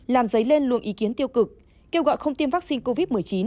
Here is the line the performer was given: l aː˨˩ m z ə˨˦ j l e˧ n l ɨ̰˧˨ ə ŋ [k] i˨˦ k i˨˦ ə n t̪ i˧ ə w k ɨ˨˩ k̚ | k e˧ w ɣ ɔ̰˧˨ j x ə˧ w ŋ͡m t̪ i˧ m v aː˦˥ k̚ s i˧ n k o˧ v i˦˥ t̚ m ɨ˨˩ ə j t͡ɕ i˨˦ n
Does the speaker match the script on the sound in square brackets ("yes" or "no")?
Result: no